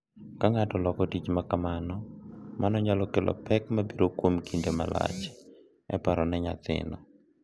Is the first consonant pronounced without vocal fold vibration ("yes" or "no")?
yes